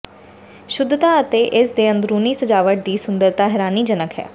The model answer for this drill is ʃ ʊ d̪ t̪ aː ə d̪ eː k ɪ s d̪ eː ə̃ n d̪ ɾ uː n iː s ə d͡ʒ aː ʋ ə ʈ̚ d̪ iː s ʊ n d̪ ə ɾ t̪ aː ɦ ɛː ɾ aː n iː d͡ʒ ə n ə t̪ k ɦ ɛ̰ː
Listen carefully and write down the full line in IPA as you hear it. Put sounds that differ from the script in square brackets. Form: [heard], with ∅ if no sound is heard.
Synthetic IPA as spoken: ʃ ʊ d̪ t̪ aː ə [t̪] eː [ʔ] ɪ s d̪ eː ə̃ n d̪ ɾ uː n iː s ə d͡ʒ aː ʋ ə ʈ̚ d̪ iː s ʊ n d̪ ə ɾ t̪ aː ɦ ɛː ɾ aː n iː d͡ʒ ə n ə [∅] k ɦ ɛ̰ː